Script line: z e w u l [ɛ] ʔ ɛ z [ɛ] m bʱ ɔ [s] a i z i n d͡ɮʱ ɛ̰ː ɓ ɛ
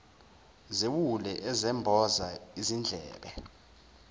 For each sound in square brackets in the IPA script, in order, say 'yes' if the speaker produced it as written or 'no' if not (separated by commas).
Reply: yes, yes, no